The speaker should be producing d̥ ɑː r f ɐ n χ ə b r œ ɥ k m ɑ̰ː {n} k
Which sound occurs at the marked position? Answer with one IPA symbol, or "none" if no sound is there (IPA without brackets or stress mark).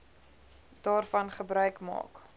none